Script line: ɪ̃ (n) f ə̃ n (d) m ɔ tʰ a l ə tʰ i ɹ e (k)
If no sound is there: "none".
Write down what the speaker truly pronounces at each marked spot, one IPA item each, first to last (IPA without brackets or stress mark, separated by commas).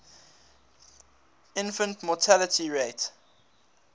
n, t, t